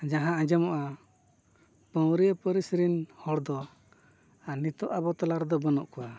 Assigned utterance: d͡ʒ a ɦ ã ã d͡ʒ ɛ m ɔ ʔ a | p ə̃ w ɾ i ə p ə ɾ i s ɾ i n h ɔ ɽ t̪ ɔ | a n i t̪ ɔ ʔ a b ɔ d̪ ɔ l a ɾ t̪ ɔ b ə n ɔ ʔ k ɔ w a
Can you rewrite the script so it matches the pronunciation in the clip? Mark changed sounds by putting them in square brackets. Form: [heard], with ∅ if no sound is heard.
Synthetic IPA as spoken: d͡ʒ a ɦ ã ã d͡ʒ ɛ m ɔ ʔ a | p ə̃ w ɾ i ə p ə ɾ i s ɾ i n h ɔ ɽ [d̪] ɔ | a n i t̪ ɔ ʔ a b ɔ [t̪] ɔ l a ɾ [d̪] ɔ b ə n ɔ ʔ k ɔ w a